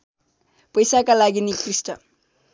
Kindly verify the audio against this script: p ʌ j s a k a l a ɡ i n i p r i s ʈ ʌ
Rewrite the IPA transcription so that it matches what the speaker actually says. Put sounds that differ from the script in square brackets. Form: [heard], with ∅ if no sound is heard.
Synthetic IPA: p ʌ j s a k a l a ɡ i n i [k] r i s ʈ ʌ